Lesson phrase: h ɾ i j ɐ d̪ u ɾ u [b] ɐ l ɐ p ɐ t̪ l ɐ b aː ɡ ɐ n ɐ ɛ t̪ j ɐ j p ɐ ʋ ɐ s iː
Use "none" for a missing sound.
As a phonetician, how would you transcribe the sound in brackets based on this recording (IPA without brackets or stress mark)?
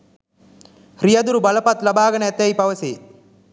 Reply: b